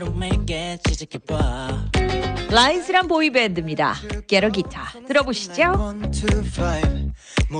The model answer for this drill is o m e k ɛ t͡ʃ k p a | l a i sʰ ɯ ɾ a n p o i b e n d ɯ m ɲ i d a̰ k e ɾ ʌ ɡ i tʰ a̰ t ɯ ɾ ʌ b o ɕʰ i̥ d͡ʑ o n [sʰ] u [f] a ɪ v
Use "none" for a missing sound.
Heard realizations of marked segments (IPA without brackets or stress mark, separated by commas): tʰ, f